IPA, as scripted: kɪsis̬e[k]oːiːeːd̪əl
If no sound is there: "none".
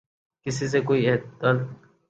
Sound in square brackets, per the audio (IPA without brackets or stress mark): k